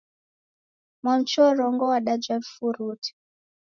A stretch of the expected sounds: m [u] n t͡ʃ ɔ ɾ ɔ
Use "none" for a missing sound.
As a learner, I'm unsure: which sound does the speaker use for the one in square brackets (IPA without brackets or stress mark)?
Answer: ɔ